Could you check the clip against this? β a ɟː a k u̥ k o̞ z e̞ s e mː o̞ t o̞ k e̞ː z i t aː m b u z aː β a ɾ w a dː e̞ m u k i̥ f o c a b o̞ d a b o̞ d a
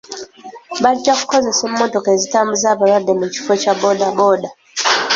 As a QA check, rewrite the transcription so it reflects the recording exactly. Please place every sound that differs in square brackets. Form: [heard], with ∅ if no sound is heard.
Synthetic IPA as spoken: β a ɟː a k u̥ k o̞ z e̞ s e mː o̞ t o̞ k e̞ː z i t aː m b u z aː β a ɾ w a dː e̞ m u [c] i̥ f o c a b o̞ d a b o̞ d a